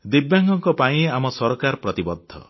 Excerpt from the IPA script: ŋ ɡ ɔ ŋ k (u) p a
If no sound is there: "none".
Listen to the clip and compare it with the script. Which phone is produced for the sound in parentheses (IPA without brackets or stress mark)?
ɔ